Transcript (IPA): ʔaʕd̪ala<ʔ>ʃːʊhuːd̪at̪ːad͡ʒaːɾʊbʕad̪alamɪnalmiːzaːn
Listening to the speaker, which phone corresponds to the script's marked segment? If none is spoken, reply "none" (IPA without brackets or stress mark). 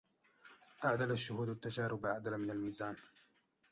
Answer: none